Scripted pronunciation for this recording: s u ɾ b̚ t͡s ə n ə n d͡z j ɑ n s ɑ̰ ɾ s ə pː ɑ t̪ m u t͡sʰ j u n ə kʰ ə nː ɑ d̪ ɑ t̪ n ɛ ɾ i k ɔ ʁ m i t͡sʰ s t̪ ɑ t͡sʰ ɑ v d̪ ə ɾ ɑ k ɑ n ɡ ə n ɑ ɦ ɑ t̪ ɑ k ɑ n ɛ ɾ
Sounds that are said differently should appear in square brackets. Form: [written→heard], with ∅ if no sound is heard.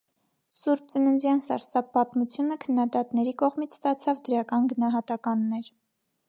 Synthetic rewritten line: s u ɾ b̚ t͡s ə n ə n d͡z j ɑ n s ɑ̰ ɾ s [ə→ɑ] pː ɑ t̪ m u t͡sʰ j u n ə kʰ ə nː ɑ d̪ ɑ t̪ n ɛ ɾ i k ɔ ʁ m i t͡sʰ s t̪ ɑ t͡sʰ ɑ v d̪ ə ɾ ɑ k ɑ n ɡ ə n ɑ ɦ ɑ t̪ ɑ k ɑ [n→nː] ɛ ɾ